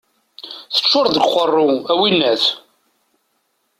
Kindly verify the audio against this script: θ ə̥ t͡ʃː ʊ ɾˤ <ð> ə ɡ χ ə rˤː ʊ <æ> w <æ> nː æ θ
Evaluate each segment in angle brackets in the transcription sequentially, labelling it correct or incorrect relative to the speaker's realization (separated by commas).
correct, correct, incorrect